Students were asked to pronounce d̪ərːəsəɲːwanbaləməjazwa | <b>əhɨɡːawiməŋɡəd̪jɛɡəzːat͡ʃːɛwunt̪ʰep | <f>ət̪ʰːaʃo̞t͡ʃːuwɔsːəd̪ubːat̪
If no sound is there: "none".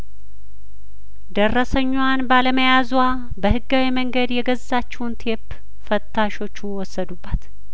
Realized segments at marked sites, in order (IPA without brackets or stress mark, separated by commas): b, f